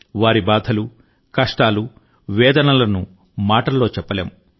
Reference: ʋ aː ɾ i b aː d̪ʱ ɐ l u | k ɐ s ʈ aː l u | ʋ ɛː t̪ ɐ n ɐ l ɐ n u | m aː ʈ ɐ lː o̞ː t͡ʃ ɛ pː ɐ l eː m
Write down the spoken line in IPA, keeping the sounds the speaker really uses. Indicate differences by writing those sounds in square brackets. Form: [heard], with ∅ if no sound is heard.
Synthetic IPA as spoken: ʋ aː ɾ i b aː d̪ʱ ɐ l u | k ɐ [ʂ] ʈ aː l u | ʋ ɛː [d̪] ɐ n ɐ l ɐ n u | m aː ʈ ɐ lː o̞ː t͡ʃ ɛ pː ɐ l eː m